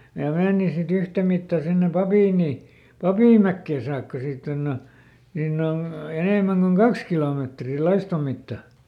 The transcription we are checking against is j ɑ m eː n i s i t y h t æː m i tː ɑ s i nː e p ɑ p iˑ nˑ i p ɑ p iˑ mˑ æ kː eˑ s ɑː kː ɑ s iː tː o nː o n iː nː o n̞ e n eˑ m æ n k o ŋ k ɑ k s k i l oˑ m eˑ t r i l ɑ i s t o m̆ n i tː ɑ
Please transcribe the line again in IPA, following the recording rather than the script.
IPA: j ɑ m eː n i s i t y h t æ m i tː ɑ s i nː e p ɑ p iˑ nˑ i p ɑ p iˑ mˑ æ kː eˑ s ɑː kː ɑ s iː tː o nː o n iː nː o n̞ e n eˑ m æ ŋ k o ŋ k ɑ k s k i l oˑ m eˑ t r i l ɑ i s t o m̆ m i tː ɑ